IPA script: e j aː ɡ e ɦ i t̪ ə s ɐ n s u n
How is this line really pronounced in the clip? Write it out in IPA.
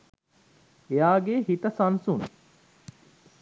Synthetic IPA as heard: e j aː ɡ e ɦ i t̪ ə s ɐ n s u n